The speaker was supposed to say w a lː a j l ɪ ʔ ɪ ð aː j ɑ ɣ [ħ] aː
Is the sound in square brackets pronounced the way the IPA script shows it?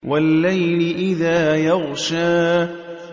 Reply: no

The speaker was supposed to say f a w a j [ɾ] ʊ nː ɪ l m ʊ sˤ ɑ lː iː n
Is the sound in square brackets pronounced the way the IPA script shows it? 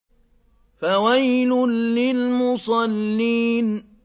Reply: no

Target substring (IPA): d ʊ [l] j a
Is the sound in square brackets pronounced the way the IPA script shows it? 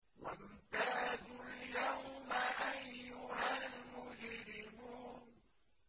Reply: yes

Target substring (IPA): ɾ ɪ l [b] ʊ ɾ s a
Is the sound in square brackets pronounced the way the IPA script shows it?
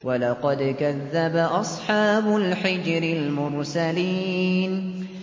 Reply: no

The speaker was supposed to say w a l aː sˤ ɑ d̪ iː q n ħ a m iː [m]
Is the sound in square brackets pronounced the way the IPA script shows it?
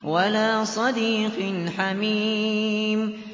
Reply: yes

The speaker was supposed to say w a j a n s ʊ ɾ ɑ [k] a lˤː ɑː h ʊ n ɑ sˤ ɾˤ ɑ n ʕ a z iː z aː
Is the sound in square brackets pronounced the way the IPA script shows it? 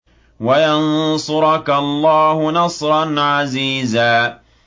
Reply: yes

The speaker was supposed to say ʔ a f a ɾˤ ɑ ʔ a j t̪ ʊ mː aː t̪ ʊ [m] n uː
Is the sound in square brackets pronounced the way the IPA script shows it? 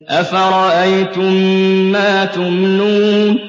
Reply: yes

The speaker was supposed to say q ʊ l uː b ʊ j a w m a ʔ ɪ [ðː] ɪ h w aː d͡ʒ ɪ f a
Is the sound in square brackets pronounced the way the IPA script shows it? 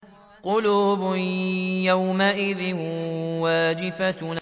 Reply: no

